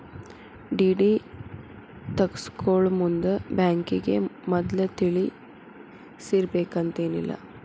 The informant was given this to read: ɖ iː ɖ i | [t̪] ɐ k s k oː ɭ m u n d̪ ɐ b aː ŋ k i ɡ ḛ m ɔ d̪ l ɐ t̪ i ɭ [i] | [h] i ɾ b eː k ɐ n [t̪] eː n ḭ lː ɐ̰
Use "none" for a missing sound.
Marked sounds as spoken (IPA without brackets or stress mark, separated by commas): t̪, i, s, t̪